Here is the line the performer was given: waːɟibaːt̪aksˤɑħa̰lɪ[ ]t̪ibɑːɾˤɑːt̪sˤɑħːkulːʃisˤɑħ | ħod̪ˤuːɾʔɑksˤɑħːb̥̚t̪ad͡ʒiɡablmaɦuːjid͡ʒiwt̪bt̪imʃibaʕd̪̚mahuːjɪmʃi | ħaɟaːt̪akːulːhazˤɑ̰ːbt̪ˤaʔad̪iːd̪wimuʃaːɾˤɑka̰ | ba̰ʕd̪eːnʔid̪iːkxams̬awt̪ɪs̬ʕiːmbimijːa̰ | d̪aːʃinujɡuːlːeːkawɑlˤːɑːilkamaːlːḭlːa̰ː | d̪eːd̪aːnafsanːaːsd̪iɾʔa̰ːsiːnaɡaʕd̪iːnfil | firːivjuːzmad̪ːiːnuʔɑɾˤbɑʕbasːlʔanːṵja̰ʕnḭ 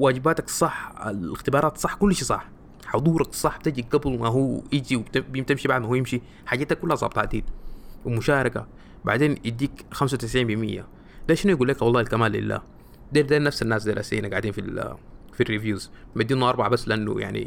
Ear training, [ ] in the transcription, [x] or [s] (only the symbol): x